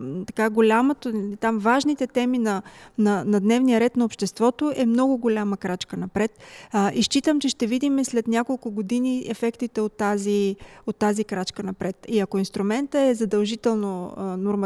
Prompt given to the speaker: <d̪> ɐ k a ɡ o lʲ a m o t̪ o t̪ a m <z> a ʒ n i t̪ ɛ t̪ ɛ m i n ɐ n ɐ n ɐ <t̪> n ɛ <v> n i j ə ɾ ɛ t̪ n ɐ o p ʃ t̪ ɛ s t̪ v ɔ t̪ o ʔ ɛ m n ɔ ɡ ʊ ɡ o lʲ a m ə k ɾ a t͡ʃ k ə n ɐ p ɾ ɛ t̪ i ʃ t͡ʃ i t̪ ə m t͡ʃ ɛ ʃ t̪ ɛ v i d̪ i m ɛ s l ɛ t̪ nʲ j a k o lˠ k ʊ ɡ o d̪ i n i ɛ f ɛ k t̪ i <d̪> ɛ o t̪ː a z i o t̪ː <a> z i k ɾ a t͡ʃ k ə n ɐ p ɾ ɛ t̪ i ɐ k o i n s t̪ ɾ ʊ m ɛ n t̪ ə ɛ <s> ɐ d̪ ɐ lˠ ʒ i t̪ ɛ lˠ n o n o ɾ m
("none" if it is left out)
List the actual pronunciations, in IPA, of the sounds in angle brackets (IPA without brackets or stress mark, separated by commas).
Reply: t̪, v, d̪, v, t̪, a, z